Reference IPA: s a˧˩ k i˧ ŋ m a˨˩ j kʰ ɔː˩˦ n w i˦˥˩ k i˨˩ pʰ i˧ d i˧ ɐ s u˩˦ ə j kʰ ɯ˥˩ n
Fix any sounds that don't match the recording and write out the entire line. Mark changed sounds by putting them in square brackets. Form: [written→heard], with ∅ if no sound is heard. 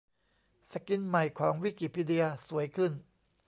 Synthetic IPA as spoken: s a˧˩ k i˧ [ŋ→n] m a˨˩ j kʰ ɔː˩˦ [n→ŋ] w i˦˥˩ k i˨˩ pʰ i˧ d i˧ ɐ s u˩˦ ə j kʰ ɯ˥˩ n